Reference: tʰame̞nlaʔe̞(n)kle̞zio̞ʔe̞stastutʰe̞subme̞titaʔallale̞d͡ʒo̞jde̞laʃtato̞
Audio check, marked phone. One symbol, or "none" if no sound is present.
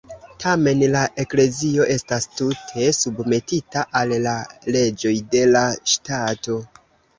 none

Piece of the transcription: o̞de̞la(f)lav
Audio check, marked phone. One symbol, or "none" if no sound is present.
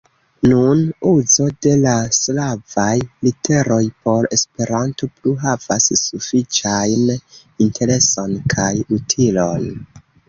s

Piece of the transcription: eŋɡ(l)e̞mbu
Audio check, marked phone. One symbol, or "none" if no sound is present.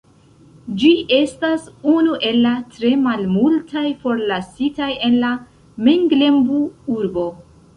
l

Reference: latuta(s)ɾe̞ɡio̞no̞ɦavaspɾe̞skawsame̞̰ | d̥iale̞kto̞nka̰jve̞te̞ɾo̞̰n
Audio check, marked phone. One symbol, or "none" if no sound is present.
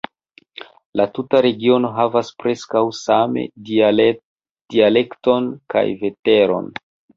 none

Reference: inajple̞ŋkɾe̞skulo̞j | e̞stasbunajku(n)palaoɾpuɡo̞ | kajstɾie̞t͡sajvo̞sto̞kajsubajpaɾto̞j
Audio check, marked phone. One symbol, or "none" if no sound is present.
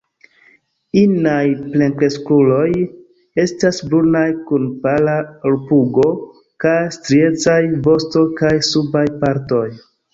n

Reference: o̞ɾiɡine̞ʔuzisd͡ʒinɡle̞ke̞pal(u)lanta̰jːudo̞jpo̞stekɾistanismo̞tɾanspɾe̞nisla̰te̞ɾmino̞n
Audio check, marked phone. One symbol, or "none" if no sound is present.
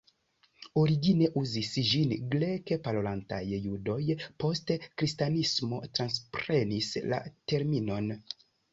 o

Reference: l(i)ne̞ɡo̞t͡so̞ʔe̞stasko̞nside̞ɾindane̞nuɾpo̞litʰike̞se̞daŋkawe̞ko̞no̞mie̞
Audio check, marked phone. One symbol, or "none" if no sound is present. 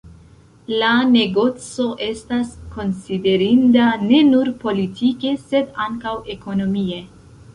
a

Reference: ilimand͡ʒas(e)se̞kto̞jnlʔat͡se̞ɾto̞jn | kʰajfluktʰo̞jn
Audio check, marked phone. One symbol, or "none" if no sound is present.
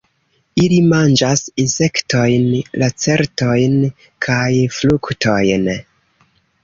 i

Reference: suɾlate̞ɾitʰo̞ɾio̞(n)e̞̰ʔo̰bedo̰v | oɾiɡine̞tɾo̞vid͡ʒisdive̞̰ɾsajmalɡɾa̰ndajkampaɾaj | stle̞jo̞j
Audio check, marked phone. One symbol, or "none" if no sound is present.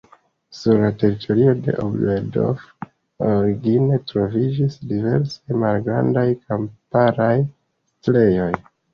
d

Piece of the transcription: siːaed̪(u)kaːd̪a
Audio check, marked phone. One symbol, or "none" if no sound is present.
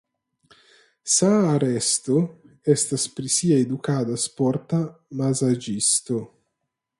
u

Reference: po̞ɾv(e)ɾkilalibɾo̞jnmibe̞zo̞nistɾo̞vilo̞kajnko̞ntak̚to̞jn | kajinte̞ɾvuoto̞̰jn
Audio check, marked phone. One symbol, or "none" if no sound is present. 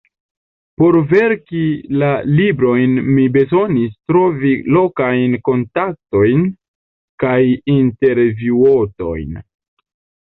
e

